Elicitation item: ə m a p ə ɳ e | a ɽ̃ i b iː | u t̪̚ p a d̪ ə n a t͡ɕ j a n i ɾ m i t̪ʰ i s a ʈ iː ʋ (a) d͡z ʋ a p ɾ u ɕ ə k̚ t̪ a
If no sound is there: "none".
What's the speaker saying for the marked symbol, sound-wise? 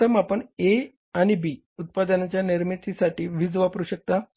i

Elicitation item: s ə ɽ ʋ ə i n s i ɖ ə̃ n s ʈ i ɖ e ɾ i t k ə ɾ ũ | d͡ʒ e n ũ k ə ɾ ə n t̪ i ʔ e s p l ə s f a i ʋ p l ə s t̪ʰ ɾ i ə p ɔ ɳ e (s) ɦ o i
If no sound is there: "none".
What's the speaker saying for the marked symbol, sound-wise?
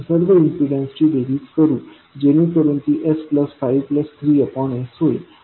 s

